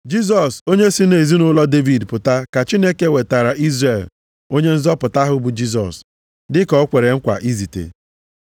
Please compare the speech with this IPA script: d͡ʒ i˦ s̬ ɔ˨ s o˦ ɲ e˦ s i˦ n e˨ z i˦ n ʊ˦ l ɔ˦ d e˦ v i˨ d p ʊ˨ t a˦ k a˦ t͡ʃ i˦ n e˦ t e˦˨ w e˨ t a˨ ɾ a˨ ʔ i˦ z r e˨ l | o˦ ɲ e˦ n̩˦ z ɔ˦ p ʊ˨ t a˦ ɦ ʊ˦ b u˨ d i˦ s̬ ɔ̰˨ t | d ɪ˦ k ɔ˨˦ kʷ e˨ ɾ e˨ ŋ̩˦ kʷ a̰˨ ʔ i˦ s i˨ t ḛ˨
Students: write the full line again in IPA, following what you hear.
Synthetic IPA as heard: d͡ʒ i˦ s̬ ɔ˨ s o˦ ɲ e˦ s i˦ n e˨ z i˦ n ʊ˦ l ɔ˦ d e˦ v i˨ d p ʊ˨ t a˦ k a˨ t͡ʃ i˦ n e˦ k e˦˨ w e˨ t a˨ ɾ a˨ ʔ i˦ z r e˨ l | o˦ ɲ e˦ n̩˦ z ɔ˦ p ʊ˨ t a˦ ɦ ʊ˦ b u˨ d͡ʒ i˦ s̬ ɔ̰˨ s | d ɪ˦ k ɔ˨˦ kʷ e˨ ɾ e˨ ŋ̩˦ kʷ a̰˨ ʔ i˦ z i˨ t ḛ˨